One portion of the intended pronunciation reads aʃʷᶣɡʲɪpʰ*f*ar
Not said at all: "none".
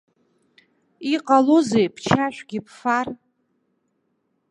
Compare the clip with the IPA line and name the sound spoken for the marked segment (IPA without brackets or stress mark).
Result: f